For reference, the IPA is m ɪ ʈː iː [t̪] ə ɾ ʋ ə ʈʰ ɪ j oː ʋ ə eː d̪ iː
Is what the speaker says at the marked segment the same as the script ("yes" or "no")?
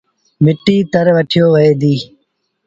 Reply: yes